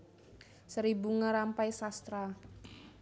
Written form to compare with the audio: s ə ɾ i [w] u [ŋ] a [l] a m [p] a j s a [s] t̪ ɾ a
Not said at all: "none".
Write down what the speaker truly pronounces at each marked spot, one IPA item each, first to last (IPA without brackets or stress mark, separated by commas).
b, ŋ, ɾ, p, s